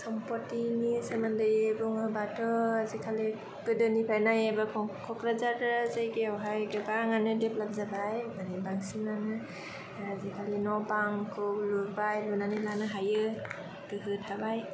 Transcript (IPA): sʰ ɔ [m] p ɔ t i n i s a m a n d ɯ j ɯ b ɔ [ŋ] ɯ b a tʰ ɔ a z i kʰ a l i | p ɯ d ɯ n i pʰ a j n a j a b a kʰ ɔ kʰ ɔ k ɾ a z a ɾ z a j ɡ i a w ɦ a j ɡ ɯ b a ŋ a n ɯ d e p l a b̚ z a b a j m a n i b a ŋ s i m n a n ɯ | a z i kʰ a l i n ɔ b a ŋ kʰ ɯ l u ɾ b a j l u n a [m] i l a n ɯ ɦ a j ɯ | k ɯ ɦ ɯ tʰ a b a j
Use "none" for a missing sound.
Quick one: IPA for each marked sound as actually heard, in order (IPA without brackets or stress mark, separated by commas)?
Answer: m, ŋ, n